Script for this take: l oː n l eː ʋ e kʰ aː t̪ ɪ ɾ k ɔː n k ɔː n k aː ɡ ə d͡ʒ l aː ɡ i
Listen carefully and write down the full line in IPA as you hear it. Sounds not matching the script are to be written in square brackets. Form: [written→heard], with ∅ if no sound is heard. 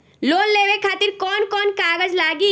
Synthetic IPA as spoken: l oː n l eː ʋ e kʰ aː t̪ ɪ ɾ k ɔː n k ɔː n k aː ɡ ə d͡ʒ l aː ɡ i